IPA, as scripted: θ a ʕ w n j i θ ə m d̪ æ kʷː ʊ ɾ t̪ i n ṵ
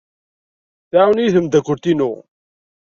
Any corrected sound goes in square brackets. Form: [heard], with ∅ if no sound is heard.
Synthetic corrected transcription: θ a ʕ w n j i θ ə m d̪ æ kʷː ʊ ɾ t̪ i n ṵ